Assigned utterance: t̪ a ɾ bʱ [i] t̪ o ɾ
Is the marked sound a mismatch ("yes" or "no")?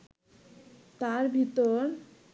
no